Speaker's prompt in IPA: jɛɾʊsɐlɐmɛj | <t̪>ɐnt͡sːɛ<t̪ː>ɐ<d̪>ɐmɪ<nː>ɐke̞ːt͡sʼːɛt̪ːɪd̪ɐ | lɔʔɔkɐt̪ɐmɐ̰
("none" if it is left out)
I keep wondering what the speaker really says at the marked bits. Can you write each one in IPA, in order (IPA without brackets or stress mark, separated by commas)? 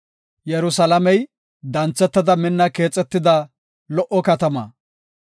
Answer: d̪, t̪ː, d̪, nː